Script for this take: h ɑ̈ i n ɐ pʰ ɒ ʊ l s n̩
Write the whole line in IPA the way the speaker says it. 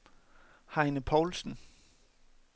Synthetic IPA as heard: h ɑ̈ ɪ n ə pʰ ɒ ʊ l s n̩

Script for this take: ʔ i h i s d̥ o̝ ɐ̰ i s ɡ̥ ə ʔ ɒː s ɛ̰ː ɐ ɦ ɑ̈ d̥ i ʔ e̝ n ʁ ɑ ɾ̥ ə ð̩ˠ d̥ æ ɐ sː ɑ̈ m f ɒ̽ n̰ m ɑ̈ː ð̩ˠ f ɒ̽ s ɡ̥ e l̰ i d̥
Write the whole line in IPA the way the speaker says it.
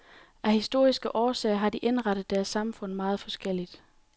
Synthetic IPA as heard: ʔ æ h i s d̥ o̝ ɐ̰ i s ɡ̥ ə ʔ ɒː s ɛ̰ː ɐ ɦ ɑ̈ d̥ i ʔ e̝ n ʁ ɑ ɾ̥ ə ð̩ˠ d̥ æ ɐ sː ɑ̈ m f ɔ̽ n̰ m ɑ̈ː ð̩ˠ f ɒ̽ s ɡ̥ e l̰ i d̥

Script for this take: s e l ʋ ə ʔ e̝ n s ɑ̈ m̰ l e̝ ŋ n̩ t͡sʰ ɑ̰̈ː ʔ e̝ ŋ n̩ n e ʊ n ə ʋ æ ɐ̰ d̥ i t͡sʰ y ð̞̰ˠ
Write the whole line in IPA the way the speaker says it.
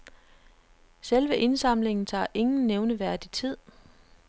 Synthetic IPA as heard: s e l ʋ ə ʔ e̝ n s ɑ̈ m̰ l e̝ ŋ n̩ t͡sʰ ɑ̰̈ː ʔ e̝ ŋ n̩ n e ʊ n ə ʋ æ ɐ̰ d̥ i t͡sʰ i ð̞̰ˠ

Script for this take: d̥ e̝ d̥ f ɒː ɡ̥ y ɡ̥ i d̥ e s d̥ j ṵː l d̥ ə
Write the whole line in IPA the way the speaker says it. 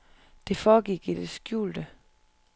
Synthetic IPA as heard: d̥ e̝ f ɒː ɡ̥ i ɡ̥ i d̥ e s ɡ̥ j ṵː l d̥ ə

